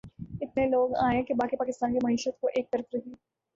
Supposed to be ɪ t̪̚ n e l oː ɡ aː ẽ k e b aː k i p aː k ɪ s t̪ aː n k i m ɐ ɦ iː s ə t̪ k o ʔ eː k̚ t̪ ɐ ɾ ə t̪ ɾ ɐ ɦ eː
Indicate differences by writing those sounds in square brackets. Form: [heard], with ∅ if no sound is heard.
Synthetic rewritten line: ɪ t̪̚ n e l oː ɡ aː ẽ k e b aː k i p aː k ɪ s t̪ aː n k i m ɐ ɦ iː [ʃ] ə t̪ k o ʔ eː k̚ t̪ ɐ ɾ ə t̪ ɾ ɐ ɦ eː